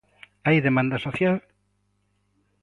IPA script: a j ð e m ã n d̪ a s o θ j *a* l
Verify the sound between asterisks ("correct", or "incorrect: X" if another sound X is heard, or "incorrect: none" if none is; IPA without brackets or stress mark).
correct